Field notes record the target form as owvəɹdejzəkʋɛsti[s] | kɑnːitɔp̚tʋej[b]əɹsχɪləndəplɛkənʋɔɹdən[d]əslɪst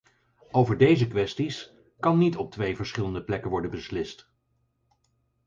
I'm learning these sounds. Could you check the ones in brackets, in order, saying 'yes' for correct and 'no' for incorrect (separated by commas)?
yes, no, no